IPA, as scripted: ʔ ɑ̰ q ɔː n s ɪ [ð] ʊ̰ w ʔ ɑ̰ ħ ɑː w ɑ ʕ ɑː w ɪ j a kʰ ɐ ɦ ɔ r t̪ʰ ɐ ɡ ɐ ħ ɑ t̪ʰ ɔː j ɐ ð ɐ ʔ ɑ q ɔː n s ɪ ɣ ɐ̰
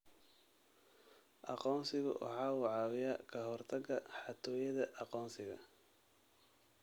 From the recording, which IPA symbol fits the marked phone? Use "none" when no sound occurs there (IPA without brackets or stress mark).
ɣ